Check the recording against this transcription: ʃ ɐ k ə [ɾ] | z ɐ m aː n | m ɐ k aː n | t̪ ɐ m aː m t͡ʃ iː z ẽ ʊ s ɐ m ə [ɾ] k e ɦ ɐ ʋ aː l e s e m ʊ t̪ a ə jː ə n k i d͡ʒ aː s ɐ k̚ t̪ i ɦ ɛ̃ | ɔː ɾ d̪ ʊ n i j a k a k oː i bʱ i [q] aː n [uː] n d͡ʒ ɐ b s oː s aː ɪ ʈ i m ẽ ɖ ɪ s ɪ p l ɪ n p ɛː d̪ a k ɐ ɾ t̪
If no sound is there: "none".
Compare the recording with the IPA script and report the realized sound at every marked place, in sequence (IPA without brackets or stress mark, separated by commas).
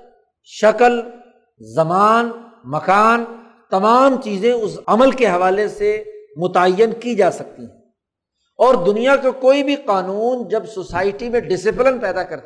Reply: l, l, q, uː